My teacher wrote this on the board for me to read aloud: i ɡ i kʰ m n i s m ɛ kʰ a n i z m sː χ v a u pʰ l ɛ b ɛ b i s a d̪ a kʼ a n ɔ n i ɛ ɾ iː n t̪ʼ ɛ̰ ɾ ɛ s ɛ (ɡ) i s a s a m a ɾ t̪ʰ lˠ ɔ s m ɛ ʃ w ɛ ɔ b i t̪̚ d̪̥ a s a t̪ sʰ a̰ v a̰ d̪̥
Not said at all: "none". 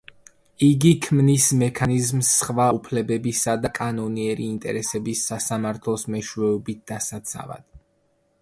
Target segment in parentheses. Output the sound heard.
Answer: b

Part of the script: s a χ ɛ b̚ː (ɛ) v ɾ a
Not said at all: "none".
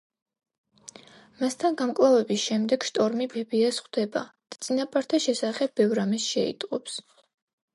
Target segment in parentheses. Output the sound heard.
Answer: ɛ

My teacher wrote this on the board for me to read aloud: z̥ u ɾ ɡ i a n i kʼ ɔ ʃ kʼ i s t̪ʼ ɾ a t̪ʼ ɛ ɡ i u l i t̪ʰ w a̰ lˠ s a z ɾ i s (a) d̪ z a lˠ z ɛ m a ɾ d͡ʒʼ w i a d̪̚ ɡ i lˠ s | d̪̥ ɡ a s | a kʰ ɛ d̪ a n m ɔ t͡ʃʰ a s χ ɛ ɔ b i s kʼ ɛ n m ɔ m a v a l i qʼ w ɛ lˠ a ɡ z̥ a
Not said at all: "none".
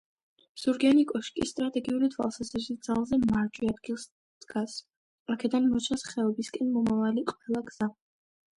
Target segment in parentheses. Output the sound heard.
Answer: i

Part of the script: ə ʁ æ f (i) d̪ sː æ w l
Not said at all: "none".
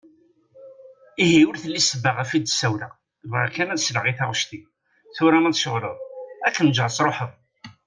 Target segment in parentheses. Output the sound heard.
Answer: i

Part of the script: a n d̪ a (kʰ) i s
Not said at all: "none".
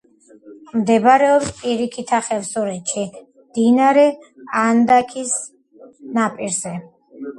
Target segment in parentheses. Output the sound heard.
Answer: kʰ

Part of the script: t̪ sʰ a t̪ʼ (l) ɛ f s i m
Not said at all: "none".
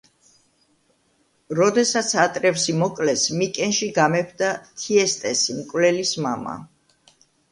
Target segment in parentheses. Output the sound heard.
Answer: ɾ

